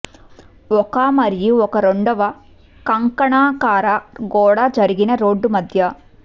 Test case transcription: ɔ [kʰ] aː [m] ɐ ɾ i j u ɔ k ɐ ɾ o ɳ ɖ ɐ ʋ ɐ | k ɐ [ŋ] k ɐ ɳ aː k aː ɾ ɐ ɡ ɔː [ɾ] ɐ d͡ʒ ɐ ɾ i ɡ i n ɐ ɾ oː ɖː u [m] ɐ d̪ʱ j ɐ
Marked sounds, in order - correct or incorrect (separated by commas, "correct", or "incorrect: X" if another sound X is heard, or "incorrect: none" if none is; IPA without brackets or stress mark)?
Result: incorrect: k, correct, correct, incorrect: ɽ, correct